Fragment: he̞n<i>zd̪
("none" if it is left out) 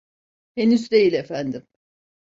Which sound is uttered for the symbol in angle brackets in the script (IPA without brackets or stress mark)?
y